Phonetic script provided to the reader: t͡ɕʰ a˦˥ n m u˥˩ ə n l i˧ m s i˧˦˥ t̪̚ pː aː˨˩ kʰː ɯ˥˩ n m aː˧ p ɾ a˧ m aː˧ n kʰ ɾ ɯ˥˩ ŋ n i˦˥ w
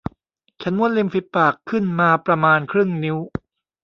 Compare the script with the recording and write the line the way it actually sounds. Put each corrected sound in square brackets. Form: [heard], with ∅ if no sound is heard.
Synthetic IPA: t͡ɕʰ a˦˥ n m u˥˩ ə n l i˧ m [f] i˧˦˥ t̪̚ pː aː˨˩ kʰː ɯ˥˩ n m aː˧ p ɾ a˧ m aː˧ n kʰ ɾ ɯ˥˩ ŋ n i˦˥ w

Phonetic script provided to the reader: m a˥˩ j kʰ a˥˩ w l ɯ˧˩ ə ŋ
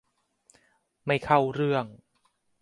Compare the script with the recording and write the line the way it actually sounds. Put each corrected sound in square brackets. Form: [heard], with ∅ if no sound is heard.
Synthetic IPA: m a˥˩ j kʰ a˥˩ w [ɾ] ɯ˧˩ ə ŋ

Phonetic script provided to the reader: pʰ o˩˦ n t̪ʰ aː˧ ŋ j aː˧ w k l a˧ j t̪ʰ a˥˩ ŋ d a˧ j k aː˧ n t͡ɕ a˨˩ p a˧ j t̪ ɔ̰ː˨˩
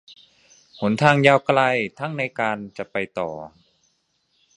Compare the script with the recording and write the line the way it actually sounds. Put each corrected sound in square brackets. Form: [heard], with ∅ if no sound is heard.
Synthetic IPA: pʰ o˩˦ n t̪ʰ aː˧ ŋ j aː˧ w k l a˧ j t̪ʰ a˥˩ ŋ [n] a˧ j k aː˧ n t͡ɕ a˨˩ p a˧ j t̪ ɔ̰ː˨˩

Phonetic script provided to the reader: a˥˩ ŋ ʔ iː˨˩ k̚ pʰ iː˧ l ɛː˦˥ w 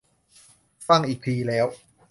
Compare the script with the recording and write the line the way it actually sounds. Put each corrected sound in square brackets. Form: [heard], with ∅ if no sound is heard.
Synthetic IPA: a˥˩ ŋ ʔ iː˨˩ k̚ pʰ iː˧ l ɛː˦˥ w

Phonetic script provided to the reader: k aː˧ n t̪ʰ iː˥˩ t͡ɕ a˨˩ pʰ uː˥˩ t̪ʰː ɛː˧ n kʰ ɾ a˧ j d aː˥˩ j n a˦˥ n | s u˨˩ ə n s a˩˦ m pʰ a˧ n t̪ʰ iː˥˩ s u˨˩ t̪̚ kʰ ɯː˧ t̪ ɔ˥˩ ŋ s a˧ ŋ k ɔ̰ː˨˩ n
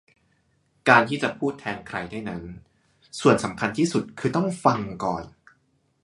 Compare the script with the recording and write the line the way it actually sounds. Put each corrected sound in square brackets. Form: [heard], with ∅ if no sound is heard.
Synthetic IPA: k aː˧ n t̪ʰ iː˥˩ t͡ɕ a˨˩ pʰ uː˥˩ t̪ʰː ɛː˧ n kʰ ɾ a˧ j d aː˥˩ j n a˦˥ n | s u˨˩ ə n s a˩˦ m [kʰ] a˧ n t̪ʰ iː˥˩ s u˨˩ t̪̚ kʰ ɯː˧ t̪ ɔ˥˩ ŋ [f] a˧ ŋ k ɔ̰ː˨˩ n

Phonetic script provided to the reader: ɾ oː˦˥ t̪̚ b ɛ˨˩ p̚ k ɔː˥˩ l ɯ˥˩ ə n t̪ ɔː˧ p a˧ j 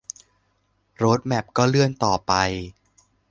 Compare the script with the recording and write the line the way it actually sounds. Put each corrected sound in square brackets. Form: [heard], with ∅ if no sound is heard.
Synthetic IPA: ɾ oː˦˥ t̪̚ [m] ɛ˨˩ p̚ k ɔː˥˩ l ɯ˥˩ ə n t̪ [ɔː˨˩] p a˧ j

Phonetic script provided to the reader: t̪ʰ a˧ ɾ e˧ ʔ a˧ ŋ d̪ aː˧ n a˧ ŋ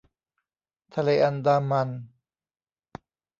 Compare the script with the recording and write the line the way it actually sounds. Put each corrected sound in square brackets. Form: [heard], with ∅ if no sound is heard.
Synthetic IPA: t̪ʰ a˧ [l] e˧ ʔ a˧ [n] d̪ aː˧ [m] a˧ [n]

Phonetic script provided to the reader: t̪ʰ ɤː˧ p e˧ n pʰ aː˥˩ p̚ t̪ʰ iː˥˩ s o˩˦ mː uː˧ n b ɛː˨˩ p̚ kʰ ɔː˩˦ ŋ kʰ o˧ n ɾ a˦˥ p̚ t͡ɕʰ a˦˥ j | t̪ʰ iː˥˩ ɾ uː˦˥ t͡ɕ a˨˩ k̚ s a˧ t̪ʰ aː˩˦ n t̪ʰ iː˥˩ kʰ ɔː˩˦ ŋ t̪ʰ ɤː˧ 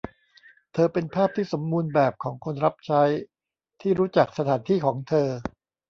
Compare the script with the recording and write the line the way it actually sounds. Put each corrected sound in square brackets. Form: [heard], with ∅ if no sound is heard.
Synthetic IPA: t̪ʰ ɤː˧ p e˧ n pʰ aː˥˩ p̚ t̪ʰ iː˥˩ s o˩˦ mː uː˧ n b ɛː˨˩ p̚ kʰ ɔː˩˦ ŋ kʰ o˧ n ɾ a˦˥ p̚ t͡ɕʰ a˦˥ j | t̪ʰ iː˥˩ ɾ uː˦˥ t͡ɕ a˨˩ k̚ s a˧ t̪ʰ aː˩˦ n t̪ʰ iː˥˩ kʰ ɔː˩˦ ŋ t̪ʰ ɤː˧

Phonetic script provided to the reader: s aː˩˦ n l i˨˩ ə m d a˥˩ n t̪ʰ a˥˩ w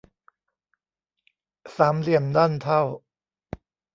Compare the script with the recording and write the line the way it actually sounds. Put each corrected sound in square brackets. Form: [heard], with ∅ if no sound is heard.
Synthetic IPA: s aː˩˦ [m] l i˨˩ ə m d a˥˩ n t̪ʰ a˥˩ w

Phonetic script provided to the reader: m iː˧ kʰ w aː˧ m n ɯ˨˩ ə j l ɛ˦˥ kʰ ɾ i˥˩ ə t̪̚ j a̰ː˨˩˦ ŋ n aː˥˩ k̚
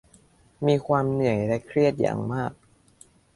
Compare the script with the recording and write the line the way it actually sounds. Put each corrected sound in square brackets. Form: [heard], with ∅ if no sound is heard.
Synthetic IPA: m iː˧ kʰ w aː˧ m n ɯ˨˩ ə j l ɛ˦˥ kʰ ɾ i˥˩ ə t̪̚ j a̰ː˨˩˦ ŋ [m] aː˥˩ k̚

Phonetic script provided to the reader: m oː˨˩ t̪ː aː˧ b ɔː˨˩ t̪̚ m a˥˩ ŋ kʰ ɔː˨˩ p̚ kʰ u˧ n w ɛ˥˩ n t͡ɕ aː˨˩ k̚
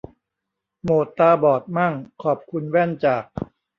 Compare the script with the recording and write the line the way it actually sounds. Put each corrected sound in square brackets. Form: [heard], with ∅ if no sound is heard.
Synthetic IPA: m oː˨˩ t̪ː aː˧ b ɔː˨˩ t̪̚ m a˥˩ ŋ kʰ ɔː˨˩ p̚ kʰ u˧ n w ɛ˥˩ n t͡ɕ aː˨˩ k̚

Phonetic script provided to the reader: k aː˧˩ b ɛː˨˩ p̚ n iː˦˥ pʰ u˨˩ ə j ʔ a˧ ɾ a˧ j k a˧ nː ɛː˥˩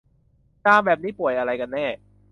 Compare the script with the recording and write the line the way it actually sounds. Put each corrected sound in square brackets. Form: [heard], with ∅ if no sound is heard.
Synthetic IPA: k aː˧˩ b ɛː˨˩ p̚ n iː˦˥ [p] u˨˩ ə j ʔ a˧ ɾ a˧ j k a˧ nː ɛː˥˩

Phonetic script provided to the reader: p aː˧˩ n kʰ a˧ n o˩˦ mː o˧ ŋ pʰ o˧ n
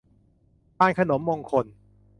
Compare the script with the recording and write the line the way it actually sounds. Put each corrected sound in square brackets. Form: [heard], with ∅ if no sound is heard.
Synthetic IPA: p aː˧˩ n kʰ a˧ n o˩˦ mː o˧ ŋ [kʰ] o˧ n

